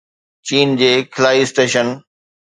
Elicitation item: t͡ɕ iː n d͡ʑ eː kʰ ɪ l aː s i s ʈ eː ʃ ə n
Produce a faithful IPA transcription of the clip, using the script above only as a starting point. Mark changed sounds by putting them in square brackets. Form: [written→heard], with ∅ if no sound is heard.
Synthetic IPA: t͡ɕ iː n d͡ʑ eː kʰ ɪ l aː [s→∅] i s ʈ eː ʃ ə n